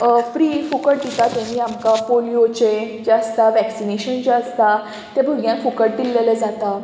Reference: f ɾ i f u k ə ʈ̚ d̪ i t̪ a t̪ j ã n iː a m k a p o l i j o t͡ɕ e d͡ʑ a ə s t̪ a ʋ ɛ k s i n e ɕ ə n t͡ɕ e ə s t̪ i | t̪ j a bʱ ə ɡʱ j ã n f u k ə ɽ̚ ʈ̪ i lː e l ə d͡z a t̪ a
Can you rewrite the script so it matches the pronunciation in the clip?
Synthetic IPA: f ɾ i f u k ə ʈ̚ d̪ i t̪ a t̪ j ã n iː a m k a p o l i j o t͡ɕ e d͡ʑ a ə s t̪ a ʋ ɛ k s i n e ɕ ə n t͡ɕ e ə s t̪ a | t̪ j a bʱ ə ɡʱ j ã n f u k ə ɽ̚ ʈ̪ i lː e l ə d͡z a t̪ a